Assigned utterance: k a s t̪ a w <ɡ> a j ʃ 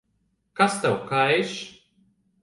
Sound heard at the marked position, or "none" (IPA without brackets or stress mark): k